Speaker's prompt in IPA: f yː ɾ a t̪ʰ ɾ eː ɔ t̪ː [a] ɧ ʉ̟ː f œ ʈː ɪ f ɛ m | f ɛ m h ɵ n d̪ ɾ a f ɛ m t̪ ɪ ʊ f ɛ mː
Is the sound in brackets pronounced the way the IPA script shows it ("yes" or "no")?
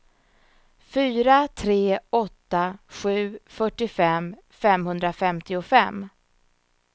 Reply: yes